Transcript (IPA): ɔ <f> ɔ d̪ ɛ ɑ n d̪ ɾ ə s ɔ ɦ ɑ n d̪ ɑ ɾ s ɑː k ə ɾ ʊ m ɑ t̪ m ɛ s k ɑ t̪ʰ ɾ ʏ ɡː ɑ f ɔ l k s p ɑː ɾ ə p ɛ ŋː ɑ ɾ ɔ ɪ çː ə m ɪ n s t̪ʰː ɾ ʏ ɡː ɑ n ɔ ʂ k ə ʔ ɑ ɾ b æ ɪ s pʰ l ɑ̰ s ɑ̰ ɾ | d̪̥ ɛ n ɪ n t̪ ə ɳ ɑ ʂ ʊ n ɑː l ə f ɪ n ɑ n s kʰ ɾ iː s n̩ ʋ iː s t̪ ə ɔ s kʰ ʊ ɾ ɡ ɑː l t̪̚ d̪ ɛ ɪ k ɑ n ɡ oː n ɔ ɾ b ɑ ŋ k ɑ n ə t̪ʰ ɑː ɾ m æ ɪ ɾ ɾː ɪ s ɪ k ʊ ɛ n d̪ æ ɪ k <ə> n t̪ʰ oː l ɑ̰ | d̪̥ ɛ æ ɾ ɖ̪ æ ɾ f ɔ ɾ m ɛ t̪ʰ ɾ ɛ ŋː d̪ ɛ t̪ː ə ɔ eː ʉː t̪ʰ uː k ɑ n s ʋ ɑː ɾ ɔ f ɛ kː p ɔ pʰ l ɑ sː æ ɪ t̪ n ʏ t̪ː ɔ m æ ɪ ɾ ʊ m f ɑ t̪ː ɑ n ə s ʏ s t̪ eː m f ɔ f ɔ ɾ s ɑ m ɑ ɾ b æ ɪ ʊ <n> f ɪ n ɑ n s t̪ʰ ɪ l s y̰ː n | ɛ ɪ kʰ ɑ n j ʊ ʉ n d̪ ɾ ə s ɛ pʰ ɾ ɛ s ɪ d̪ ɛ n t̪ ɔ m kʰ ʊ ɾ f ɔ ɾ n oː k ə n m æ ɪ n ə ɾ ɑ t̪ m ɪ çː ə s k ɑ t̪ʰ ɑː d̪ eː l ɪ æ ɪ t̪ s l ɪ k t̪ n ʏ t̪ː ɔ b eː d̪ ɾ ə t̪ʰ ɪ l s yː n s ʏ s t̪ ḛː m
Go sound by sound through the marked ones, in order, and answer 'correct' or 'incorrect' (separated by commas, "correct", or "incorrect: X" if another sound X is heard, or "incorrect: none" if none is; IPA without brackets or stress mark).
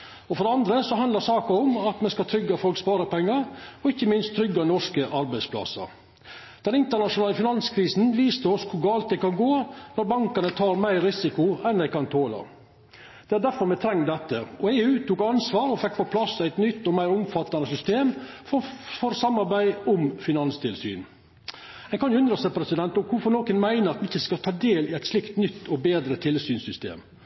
correct, incorrect: ɑ, incorrect: m